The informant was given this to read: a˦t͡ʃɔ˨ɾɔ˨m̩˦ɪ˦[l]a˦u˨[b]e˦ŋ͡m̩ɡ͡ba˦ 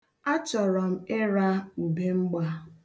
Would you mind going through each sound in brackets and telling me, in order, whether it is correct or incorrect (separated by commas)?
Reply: incorrect, correct